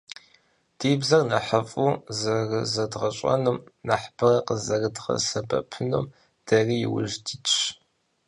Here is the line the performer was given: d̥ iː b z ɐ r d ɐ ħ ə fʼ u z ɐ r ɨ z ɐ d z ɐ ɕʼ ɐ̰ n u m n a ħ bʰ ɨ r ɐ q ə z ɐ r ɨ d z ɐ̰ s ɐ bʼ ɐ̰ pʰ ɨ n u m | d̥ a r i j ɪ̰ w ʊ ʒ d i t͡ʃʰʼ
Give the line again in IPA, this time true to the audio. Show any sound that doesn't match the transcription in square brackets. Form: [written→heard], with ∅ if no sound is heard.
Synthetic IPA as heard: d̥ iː b z ɐ r [d→n] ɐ ħ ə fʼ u z ɐ r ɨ z ɐ d [z→ʁ] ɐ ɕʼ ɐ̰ n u m n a ħ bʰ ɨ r ɐ q ə z ɐ r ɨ d [z→ʁ] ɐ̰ s ɐ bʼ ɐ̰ pʰ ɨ n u m | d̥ [a→ɐ] r i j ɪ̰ w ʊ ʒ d i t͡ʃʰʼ